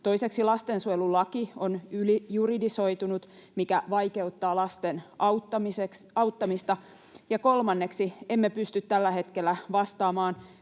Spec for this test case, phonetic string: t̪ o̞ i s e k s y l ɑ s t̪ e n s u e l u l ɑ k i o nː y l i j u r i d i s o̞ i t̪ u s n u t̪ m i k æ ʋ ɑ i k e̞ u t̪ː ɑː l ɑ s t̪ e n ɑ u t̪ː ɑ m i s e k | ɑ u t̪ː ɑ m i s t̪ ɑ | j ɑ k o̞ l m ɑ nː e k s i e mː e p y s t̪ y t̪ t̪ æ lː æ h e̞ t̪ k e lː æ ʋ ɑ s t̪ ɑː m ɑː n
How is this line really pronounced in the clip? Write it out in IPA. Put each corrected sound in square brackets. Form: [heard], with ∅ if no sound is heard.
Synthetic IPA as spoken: t̪ o̞ i s e k s [i] l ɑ s t̪ e n s u e l u l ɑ k i o [n] y l i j u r i d i s o̞ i t̪ u [∅] n u t̪ m i k æ ʋ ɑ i k e̞ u t̪ː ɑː l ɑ s t̪ e n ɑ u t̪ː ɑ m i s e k | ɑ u t̪ː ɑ m i s t̪ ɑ | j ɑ k o̞ l m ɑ nː e k s i e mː e p y s t̪ y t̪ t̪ æ lː æ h e̞ t̪ k e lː æ ʋ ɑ s t̪ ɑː m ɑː n